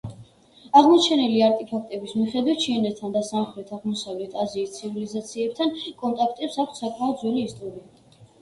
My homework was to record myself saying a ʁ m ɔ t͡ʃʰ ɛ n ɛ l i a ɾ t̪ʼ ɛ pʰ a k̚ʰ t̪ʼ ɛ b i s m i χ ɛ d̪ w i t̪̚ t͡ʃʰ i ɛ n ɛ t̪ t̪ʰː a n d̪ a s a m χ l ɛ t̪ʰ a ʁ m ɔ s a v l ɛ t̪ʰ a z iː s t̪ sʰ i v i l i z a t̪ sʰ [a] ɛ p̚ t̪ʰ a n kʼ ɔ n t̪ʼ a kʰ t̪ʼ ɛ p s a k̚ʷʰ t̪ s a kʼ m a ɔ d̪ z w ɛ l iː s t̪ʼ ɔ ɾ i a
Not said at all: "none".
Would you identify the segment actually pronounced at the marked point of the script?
i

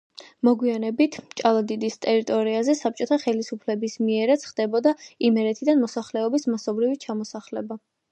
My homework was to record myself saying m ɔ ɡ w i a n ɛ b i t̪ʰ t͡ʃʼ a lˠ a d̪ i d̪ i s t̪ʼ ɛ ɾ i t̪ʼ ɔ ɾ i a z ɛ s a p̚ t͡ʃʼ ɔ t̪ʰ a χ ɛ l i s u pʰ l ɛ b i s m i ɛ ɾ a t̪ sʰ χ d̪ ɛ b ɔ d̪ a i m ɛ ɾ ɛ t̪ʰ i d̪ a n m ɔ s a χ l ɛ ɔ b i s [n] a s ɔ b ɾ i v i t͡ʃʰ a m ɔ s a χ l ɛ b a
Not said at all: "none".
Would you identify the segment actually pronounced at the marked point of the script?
m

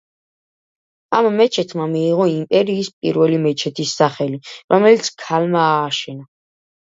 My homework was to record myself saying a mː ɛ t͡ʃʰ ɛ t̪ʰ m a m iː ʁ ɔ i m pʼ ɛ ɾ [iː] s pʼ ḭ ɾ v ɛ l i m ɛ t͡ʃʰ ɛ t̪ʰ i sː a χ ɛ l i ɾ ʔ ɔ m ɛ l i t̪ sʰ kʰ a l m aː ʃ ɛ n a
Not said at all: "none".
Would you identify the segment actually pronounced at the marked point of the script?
iː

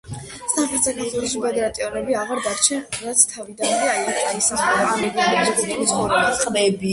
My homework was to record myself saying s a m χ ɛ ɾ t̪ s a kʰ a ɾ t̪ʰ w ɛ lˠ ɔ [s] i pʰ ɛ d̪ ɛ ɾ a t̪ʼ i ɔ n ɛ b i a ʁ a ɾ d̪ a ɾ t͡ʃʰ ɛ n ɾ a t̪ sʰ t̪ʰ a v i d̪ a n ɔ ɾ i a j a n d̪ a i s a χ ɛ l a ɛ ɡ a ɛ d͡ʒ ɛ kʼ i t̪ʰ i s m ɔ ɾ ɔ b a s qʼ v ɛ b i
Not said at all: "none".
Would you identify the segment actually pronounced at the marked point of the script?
ʃ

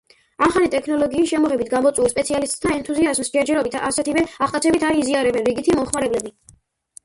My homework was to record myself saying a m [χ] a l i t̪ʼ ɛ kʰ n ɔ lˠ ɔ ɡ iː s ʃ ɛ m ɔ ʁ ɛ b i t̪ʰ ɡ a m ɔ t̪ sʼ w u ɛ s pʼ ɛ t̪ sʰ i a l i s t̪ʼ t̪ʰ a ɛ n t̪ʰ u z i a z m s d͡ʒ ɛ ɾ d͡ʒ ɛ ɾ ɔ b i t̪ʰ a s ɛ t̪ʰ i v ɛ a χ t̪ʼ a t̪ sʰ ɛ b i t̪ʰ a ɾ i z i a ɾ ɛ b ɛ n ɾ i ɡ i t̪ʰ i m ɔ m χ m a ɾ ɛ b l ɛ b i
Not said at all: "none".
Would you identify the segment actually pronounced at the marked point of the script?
χ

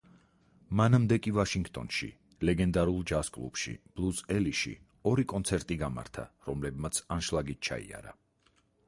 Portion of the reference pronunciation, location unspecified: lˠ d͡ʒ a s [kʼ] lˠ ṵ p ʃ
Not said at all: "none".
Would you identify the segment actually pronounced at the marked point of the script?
kʼ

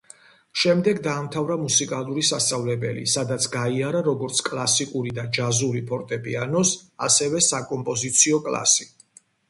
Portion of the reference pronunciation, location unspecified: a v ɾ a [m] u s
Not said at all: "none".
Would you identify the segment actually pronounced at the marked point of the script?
m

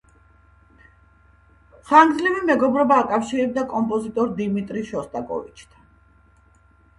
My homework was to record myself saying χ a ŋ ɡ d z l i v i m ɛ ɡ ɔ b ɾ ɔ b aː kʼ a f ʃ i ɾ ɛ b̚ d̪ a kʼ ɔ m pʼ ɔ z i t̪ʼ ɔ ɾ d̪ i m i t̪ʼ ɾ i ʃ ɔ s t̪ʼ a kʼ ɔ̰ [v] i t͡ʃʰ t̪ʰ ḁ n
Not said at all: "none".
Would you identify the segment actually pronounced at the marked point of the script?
v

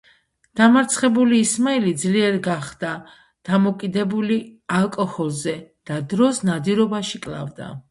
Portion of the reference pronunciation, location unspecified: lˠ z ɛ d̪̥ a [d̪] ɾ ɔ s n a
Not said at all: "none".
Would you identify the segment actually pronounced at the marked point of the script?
d̪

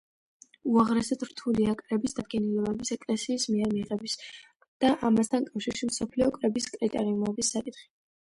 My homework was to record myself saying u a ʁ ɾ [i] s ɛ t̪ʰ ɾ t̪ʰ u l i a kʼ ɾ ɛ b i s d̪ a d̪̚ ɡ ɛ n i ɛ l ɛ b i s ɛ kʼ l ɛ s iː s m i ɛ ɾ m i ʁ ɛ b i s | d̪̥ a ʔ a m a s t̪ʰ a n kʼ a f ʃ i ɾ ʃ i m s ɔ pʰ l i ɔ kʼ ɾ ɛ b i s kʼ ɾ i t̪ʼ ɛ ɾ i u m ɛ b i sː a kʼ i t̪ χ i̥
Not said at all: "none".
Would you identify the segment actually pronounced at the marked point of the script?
ɛ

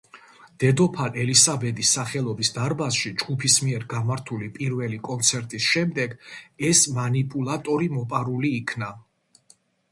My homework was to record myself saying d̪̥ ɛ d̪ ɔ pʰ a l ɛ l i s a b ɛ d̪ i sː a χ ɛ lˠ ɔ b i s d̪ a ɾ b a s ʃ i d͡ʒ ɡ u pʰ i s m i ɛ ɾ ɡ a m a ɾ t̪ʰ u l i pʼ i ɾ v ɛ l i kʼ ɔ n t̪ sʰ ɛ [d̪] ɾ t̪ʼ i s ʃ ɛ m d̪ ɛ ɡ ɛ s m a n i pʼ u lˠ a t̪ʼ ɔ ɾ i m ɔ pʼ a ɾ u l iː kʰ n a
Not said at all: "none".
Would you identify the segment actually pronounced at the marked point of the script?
none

